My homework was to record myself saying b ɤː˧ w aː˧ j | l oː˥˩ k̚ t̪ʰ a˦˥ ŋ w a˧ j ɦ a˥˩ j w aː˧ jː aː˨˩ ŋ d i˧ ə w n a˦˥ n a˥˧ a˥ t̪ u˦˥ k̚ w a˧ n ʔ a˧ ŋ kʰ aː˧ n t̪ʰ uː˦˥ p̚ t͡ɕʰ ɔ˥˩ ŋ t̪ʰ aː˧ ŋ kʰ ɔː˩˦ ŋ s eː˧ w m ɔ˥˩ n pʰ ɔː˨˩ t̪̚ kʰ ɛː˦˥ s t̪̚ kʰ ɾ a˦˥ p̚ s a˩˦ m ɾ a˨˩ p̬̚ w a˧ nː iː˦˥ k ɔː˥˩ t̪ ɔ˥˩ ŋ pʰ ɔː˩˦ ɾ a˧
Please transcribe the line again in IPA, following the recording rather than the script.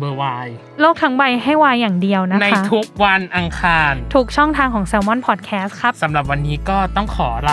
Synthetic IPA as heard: b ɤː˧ w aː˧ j | l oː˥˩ k̚ t̪ʰ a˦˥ ŋ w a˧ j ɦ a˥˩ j w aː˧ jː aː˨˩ ŋ d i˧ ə w n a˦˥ n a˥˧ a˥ t̪ʰ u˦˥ k̚ w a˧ n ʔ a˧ ŋ kʰ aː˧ n t̪ʰ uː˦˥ k̚ t͡ɕʰ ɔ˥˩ ŋ t̪ʰ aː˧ ŋ kʰ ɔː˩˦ ŋ s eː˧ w m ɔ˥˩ n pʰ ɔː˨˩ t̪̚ kʰ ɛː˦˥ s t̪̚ kʰ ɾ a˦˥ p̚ s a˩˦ m ɾ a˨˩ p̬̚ w a˧ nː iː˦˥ k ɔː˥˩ t̪ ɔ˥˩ ŋ kʰ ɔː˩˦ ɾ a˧